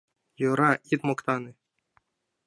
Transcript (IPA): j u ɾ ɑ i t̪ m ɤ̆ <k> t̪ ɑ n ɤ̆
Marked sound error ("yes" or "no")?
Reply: no